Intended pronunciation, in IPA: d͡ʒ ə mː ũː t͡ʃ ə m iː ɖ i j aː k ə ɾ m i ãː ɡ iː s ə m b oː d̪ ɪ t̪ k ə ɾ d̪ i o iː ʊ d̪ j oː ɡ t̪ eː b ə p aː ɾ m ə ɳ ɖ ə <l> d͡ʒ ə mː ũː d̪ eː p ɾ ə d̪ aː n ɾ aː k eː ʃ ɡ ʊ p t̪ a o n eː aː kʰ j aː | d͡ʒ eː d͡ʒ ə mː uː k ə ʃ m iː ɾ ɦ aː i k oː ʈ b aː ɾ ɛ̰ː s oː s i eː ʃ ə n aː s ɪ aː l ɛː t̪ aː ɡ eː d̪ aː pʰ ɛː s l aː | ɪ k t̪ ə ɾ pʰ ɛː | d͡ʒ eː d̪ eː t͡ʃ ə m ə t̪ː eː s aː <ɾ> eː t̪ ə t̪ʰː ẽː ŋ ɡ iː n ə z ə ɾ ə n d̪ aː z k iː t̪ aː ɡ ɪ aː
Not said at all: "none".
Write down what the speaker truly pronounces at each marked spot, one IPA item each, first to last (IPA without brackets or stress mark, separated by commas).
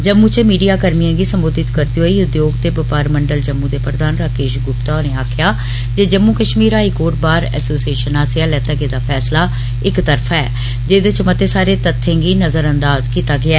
l, ɾ